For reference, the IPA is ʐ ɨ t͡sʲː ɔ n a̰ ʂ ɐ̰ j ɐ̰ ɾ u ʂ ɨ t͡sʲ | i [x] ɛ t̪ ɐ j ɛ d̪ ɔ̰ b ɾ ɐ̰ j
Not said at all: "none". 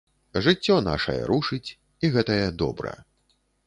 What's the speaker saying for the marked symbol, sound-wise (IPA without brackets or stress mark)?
ɣ